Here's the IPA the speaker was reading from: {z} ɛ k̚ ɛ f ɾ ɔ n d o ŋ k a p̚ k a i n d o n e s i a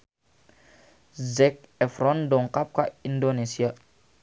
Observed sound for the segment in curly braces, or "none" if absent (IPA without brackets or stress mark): z